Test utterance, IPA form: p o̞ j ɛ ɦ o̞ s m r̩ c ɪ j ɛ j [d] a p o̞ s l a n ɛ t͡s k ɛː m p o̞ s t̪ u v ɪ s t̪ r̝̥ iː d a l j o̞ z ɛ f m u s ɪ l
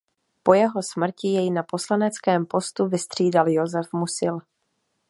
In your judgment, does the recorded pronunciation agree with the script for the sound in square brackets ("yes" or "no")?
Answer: no